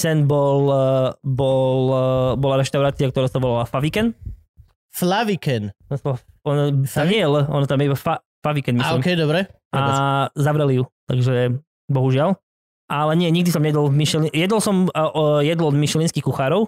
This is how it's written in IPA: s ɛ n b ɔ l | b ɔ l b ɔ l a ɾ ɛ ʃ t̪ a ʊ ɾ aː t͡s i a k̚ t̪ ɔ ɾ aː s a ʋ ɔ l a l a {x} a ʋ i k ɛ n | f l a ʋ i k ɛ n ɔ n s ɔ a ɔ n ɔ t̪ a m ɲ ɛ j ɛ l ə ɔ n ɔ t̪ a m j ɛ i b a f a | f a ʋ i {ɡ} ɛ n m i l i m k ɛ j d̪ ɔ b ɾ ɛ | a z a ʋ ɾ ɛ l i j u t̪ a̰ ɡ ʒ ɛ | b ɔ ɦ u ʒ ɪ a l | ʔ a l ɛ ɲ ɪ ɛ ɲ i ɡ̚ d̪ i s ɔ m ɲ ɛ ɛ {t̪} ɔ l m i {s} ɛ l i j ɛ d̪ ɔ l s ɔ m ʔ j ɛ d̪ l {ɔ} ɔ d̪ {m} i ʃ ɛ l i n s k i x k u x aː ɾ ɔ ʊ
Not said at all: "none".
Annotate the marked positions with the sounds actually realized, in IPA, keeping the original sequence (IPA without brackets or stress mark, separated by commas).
f, k, d̪, ʃ, ɔ, m